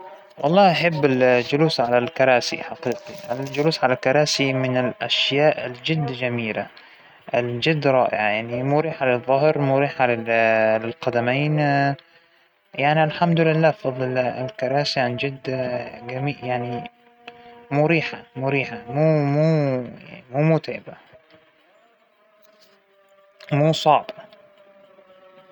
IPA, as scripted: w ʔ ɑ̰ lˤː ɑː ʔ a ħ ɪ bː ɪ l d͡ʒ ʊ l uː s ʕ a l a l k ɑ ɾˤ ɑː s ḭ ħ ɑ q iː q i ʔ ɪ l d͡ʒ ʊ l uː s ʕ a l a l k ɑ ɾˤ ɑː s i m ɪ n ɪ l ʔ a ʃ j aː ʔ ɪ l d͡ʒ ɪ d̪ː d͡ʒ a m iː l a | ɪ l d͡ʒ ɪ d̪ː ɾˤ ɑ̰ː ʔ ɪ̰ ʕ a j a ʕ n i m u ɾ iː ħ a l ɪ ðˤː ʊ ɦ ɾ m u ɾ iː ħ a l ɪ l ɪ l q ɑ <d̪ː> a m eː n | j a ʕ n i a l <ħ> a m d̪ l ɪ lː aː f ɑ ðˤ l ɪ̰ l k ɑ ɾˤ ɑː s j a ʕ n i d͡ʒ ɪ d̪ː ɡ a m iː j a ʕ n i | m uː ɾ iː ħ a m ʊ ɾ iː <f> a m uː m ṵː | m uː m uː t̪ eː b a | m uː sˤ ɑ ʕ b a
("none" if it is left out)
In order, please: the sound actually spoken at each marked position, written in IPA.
d̪, ħ, ħ

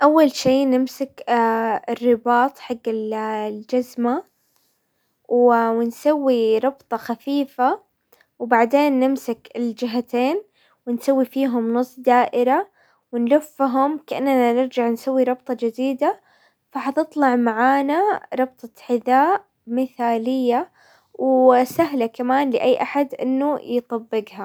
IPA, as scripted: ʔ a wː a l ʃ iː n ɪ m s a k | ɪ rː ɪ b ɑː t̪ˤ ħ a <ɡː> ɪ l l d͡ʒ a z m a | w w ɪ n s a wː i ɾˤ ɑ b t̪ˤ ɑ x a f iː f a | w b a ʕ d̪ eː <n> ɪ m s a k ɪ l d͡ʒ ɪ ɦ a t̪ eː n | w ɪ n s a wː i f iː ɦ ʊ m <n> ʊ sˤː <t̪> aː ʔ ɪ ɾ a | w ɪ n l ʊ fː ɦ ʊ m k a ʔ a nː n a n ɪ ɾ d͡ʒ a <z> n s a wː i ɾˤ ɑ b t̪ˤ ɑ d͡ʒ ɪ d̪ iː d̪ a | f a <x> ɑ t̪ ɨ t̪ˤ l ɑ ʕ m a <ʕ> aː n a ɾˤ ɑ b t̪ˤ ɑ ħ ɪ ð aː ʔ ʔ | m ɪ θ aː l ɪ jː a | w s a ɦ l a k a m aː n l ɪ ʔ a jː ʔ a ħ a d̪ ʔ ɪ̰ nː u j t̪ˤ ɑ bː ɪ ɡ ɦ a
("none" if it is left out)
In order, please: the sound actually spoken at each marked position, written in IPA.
ɡː, nː, n, d̪, ʕ, ħ, ʕ

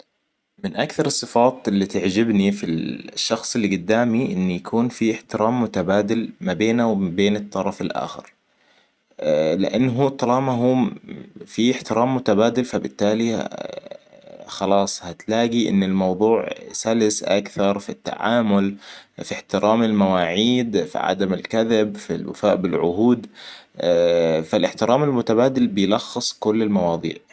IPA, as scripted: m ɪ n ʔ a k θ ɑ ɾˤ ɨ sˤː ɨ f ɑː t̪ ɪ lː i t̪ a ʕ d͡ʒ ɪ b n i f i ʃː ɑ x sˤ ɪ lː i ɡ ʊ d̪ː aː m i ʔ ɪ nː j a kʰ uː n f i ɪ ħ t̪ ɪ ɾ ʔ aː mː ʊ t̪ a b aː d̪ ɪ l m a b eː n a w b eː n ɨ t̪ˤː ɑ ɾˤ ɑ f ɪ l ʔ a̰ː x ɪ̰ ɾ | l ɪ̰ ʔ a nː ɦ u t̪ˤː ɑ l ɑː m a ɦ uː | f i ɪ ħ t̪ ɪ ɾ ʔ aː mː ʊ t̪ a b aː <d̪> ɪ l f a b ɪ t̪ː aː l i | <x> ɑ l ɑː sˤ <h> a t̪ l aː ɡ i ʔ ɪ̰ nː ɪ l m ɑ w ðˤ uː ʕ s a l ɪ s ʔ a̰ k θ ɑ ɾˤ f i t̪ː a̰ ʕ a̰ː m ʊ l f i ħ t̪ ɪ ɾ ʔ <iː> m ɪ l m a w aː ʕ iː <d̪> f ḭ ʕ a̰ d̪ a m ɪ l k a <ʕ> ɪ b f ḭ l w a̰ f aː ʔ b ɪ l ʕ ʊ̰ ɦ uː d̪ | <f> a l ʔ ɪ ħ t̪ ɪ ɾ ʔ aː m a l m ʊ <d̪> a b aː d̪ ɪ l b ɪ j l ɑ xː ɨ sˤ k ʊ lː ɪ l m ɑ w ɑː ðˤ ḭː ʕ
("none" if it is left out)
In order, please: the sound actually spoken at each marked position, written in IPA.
d̪, x, h, aː, d̪, ð, f, t̪

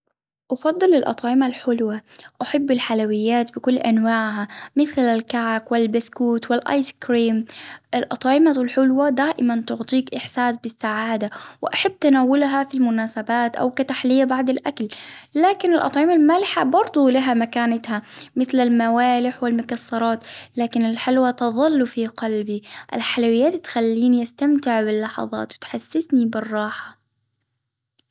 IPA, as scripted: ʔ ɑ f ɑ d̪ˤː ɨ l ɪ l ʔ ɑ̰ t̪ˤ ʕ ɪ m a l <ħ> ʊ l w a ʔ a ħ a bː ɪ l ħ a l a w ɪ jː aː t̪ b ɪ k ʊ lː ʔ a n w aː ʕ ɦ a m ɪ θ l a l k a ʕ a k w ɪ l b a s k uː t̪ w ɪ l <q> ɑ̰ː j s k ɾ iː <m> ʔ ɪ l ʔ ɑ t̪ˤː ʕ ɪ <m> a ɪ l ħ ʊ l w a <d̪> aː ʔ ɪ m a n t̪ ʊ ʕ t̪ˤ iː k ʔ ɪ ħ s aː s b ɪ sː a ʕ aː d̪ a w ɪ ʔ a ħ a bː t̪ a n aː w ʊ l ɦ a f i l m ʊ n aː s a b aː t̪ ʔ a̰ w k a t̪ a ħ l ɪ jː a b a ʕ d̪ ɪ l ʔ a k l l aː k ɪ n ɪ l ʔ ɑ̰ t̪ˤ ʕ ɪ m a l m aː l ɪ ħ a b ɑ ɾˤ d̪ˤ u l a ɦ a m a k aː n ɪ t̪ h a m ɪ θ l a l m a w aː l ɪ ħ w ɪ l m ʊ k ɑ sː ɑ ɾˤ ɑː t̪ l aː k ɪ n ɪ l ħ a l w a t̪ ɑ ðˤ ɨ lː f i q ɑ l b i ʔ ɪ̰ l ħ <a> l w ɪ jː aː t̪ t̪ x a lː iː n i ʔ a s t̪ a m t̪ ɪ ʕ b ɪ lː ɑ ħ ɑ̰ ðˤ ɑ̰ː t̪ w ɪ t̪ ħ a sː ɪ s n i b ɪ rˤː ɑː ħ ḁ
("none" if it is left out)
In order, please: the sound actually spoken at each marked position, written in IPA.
ħ, ʔ, m, m, d̪, a

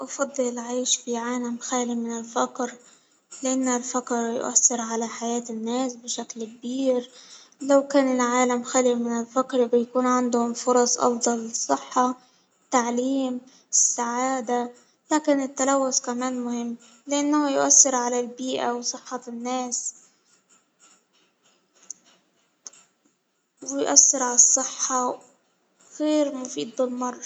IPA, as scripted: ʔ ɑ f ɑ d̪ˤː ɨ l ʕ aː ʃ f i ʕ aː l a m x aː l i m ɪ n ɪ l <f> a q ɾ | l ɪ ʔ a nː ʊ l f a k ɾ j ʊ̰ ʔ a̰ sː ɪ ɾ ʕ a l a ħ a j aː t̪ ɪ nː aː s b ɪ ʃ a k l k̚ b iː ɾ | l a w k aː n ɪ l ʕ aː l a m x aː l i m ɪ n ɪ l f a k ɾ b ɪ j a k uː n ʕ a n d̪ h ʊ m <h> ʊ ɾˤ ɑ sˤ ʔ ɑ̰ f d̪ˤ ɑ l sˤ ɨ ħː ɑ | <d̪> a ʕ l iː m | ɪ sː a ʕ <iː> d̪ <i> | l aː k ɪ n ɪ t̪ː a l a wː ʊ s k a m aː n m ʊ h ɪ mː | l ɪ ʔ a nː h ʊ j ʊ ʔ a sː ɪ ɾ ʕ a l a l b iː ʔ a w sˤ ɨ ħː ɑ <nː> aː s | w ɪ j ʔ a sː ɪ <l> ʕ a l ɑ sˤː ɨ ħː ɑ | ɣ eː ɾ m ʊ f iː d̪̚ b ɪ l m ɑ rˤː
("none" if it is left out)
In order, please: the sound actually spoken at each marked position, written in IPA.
f, f, t̪, aː, a, nː, ɾ

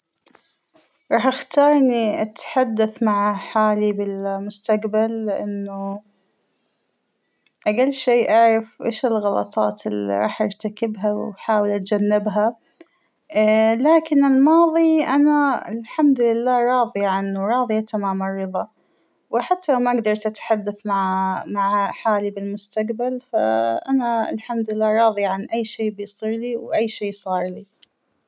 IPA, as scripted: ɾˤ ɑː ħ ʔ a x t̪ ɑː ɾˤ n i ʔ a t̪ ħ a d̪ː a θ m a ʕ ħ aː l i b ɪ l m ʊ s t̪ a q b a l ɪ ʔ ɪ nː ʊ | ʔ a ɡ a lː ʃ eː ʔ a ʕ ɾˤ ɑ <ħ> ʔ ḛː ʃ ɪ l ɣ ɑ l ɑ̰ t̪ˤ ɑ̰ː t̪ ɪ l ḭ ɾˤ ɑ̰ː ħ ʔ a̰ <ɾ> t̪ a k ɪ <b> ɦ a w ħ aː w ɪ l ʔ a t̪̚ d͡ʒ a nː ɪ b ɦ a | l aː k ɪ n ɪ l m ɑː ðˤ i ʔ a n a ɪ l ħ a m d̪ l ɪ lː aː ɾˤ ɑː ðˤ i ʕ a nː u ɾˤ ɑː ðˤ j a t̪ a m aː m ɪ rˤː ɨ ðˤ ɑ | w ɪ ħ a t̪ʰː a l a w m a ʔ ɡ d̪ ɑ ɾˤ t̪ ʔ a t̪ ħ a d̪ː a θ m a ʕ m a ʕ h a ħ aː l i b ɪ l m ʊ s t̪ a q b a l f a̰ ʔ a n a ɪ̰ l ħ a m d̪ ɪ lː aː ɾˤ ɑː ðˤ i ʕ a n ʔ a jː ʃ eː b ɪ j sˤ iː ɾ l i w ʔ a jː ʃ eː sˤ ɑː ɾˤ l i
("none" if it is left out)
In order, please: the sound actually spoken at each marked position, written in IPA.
f, ɾ, b

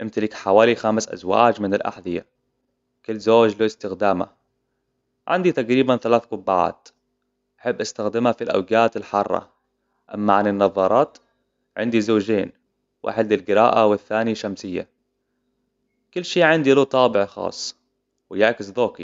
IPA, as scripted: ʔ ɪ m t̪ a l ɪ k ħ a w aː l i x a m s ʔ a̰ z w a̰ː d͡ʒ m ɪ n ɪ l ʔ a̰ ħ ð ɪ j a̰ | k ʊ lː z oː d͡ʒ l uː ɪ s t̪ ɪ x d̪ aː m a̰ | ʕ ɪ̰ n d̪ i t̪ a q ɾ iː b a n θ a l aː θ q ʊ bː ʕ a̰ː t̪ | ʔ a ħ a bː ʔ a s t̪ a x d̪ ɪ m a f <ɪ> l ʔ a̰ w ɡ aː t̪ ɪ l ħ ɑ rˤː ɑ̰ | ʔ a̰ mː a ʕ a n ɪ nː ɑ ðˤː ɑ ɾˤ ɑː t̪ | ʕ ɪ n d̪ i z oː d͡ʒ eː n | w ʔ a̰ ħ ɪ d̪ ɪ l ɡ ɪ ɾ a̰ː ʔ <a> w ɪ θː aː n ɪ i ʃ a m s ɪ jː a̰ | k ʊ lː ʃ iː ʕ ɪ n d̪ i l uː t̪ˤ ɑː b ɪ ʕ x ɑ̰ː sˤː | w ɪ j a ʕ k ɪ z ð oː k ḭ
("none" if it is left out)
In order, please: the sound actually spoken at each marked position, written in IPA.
i, a

